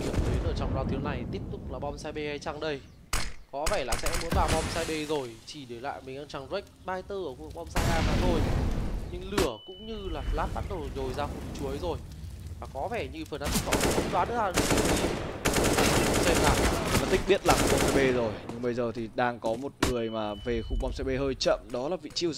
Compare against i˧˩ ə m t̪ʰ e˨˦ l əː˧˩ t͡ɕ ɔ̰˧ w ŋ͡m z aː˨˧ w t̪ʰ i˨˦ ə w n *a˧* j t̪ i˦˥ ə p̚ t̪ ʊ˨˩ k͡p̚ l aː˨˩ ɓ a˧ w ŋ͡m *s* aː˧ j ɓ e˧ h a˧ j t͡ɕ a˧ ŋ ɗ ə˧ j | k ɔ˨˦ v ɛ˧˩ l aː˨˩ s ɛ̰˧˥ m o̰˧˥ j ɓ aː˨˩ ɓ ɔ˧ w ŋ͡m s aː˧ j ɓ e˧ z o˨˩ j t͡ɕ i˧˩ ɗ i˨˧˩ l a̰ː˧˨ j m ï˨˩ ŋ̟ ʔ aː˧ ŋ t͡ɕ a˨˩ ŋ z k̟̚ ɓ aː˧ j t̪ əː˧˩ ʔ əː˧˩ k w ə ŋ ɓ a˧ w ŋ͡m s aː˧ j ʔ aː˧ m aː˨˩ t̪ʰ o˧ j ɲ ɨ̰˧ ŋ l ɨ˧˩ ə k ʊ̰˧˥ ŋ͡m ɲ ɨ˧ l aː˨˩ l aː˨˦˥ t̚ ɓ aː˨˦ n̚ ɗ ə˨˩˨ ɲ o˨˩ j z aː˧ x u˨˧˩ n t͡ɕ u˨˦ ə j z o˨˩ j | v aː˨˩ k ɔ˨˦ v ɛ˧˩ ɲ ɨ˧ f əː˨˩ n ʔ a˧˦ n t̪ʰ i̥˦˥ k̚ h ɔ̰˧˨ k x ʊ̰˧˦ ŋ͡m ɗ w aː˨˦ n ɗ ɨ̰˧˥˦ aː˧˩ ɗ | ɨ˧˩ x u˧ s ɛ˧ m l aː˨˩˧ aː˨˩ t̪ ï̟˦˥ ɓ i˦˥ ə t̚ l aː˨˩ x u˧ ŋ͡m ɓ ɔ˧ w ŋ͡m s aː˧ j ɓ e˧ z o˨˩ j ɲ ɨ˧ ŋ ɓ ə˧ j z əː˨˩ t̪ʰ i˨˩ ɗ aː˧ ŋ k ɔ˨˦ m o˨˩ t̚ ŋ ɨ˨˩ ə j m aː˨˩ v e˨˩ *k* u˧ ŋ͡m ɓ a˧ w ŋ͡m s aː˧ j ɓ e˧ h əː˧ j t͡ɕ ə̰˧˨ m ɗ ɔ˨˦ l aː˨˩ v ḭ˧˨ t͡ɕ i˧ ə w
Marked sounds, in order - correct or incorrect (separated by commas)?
incorrect, correct, incorrect